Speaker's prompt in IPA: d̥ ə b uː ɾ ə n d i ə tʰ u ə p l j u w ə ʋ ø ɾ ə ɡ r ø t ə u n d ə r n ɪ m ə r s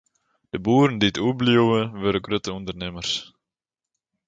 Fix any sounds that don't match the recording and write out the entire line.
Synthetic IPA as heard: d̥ ə b uː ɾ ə n d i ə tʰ u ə b l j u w ə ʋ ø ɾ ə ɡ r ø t ə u n d ə r n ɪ m ə r s